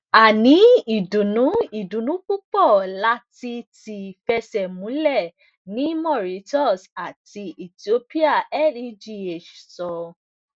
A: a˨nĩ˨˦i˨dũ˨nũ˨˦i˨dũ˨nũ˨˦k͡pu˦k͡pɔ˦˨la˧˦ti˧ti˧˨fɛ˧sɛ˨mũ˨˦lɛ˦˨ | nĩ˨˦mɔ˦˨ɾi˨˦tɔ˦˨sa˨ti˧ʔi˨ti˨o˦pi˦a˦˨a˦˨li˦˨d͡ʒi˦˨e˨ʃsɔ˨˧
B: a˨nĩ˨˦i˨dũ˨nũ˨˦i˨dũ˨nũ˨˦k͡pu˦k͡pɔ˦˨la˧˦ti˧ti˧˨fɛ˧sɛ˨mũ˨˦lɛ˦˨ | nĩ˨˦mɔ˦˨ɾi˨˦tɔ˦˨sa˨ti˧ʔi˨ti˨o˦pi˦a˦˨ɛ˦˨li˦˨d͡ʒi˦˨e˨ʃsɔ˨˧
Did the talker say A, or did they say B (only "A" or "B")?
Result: B